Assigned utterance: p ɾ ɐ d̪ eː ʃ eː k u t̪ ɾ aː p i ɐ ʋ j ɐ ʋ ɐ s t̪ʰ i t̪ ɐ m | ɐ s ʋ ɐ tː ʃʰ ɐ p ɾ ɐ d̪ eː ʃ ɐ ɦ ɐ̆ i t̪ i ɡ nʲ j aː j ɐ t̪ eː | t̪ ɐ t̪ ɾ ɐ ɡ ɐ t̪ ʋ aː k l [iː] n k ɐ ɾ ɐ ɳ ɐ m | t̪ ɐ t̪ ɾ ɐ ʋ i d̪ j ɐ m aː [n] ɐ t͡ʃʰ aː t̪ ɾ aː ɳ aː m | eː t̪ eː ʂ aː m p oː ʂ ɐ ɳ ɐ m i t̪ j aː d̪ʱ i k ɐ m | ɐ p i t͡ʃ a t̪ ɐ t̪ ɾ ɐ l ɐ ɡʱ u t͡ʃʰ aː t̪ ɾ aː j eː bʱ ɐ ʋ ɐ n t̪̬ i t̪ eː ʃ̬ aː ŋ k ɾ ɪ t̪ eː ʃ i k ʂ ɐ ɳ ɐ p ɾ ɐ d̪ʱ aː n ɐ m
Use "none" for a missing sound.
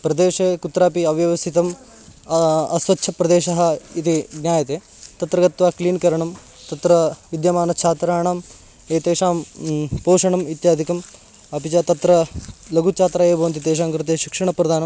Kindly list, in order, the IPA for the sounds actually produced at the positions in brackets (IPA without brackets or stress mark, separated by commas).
iː, n